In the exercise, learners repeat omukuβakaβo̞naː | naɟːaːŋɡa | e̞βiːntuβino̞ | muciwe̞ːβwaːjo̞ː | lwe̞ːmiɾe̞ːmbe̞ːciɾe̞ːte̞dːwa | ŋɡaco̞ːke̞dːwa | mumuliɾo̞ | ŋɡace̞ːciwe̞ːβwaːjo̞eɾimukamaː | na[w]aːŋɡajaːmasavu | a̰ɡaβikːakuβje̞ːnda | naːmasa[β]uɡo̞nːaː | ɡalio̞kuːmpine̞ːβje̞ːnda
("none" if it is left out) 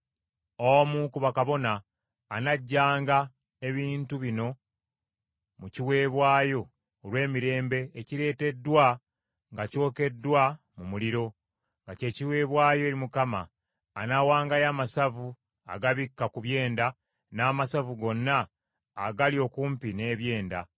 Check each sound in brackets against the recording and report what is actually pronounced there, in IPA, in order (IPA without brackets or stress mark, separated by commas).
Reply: w, v